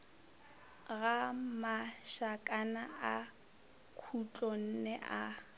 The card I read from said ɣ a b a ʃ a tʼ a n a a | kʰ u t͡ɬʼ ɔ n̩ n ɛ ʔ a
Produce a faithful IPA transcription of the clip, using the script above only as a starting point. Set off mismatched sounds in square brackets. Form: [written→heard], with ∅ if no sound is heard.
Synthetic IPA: ɣ a [b→m] a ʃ a [tʼ→kʼ] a n a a | kʰ u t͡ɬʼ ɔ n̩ n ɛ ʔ a